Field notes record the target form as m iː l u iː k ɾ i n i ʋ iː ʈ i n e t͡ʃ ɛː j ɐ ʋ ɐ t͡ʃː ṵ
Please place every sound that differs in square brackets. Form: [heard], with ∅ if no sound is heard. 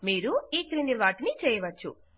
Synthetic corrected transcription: m iː [ɾ] u iː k ɾ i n i ʋ [aː] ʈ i n [i] t͡ʃ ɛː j ɐ ʋ ɐ t͡ʃː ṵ